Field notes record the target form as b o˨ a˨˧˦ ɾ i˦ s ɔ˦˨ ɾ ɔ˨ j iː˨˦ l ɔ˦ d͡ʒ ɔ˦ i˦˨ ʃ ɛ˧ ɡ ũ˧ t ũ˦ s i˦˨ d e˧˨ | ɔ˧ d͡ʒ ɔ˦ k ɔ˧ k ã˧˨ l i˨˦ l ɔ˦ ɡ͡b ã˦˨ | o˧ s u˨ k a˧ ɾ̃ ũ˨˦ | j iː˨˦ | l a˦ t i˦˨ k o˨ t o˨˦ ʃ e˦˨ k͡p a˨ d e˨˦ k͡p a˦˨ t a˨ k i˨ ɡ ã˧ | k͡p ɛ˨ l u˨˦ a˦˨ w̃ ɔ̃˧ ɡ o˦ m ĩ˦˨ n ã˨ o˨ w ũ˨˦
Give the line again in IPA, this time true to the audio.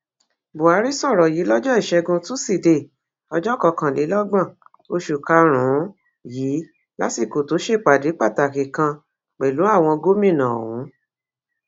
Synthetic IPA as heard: b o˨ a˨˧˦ ɾ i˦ s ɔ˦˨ ɾ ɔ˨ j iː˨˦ l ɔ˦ d͡ʒ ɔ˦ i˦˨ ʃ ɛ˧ ɡ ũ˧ t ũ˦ s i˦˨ d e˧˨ | ɔ˧ d͡ʒ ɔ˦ k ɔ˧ k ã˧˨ l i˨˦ l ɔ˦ ɡ͡b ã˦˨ | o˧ ʃ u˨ k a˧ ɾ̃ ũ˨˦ | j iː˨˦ | l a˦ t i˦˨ k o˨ t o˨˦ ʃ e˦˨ k͡p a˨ d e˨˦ k͡p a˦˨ t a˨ k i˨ k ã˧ | k͡p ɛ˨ l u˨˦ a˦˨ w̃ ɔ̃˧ ɡ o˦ m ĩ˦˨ n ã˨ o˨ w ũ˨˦

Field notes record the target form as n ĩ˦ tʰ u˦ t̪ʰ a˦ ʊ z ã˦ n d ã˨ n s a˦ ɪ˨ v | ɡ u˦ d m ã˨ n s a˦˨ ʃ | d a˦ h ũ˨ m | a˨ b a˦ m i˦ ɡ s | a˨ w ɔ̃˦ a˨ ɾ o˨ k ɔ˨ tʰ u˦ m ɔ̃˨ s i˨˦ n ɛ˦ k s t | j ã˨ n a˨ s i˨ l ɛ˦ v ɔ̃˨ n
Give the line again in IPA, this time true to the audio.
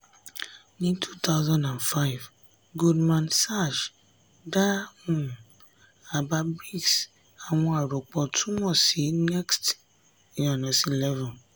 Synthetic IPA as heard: n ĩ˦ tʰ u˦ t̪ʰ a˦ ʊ z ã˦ n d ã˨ n f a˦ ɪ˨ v | ɡ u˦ d m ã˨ n s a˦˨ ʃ | d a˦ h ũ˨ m | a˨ b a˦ b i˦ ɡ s | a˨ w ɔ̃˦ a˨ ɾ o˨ k͡p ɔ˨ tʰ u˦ m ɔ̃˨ s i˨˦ n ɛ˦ k s t | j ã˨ n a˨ s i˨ l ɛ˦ v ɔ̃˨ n

